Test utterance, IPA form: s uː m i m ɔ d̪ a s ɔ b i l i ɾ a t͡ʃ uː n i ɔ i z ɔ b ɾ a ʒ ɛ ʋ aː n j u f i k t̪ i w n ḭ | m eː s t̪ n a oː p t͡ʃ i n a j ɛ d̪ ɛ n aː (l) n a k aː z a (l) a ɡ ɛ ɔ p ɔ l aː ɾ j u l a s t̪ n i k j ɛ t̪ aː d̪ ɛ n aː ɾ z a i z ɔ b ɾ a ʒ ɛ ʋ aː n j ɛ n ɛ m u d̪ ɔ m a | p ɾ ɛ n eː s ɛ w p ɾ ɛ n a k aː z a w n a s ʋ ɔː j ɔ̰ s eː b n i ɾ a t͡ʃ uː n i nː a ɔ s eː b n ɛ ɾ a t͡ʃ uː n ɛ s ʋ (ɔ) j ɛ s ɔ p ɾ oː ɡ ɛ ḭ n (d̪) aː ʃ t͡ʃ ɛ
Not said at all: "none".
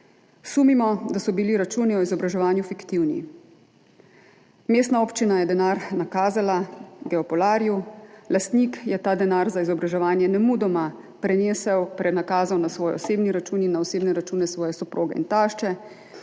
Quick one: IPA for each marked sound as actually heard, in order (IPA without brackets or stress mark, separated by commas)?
ɾ, l, ɔː, t̪